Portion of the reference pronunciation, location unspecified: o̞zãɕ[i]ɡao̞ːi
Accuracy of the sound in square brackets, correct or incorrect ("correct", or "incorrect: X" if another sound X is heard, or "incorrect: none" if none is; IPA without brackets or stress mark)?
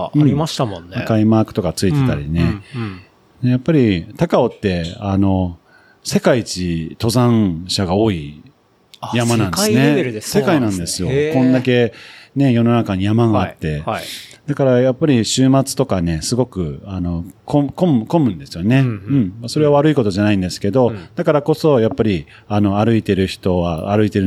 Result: incorrect: a